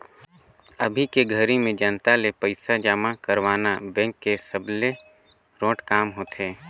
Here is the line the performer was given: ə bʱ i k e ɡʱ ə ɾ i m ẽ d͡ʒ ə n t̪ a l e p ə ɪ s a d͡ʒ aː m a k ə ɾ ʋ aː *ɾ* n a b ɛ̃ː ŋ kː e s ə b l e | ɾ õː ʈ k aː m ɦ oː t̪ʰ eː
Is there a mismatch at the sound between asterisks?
yes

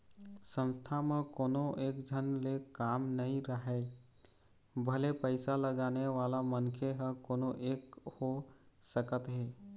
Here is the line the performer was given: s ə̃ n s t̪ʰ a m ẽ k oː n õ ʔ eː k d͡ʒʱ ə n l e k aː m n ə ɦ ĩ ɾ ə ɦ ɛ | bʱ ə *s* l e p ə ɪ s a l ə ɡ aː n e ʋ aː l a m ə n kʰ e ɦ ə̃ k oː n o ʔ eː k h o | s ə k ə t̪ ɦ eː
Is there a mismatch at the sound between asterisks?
yes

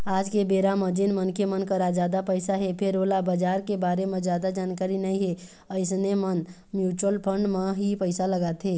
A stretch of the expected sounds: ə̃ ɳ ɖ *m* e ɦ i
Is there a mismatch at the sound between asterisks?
no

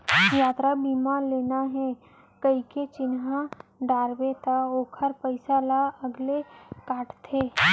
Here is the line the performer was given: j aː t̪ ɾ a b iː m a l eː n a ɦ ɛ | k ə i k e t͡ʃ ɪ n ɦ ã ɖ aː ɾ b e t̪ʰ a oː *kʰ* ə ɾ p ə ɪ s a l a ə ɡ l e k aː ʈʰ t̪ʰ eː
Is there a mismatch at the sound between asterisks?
no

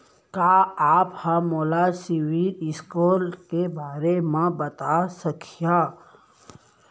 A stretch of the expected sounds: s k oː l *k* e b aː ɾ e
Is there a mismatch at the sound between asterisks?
no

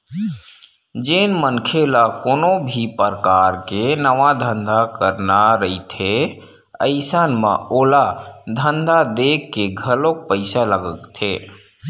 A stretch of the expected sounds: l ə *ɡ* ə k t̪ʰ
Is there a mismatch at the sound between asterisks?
no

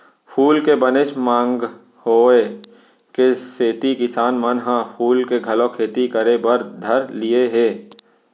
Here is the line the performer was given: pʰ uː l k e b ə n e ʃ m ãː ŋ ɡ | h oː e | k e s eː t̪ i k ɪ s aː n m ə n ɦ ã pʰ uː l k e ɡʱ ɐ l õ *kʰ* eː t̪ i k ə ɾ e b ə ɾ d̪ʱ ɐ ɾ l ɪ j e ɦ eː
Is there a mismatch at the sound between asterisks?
no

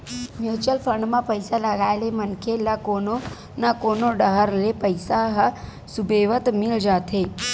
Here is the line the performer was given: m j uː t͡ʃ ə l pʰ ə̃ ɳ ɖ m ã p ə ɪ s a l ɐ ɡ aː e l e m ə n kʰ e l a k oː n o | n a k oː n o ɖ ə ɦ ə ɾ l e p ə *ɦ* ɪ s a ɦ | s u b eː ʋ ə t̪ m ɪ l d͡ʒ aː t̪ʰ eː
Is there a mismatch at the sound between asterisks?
yes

